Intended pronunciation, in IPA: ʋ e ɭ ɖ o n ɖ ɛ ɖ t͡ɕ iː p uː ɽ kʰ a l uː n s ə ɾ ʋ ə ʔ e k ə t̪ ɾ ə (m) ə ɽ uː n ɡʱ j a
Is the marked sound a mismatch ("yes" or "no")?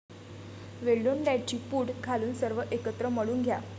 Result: no